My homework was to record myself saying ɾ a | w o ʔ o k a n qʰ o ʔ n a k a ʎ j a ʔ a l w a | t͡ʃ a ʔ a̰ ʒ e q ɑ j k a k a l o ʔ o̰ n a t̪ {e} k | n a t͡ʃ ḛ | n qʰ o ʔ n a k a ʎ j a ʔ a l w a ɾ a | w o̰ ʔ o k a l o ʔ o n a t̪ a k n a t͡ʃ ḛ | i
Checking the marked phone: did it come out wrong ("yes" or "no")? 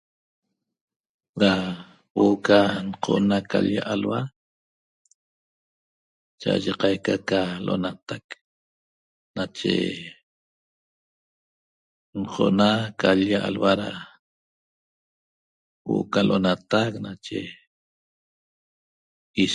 yes